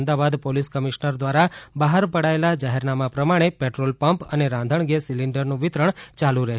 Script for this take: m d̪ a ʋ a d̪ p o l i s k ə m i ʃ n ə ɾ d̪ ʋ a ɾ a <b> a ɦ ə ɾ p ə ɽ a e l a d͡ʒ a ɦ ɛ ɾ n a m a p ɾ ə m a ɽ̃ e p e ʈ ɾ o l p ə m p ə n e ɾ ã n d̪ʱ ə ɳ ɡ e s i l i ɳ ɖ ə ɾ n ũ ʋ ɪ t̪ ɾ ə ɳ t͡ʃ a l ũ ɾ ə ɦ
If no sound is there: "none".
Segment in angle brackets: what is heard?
b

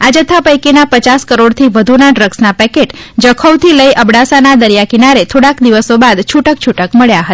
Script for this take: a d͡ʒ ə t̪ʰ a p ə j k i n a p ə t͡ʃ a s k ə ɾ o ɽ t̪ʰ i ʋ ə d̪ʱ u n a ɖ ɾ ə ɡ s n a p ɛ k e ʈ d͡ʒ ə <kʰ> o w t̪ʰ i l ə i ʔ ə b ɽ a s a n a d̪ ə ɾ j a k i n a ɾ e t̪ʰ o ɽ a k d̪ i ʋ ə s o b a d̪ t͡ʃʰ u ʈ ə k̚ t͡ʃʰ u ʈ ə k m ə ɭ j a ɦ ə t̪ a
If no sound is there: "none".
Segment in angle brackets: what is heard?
kʰ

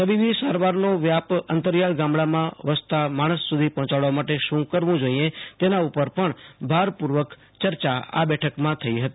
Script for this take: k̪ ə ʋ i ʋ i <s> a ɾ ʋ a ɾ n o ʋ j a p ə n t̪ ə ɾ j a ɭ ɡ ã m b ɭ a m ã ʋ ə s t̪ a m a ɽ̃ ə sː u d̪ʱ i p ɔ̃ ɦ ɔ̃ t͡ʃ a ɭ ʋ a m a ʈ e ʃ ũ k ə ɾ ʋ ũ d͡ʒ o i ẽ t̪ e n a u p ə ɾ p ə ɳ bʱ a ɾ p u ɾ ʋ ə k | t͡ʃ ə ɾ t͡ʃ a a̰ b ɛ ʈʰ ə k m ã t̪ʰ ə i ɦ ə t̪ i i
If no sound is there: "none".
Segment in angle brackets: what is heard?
s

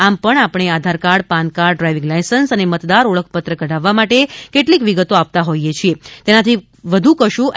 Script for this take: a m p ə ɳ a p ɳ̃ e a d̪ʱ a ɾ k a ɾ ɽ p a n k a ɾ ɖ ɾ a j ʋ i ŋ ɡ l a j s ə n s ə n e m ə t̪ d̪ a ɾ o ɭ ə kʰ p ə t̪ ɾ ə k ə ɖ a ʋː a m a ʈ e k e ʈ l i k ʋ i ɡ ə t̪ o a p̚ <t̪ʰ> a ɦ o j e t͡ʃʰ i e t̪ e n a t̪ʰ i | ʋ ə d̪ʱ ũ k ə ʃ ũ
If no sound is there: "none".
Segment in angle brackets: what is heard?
t̪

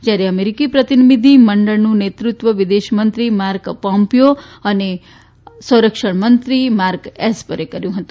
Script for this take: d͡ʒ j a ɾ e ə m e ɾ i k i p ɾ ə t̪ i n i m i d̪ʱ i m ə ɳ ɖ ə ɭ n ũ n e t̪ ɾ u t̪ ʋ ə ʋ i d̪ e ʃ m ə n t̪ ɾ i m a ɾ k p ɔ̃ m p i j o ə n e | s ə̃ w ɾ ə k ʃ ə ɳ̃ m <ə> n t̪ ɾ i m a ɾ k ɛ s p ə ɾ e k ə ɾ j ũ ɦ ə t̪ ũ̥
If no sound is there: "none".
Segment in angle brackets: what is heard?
ə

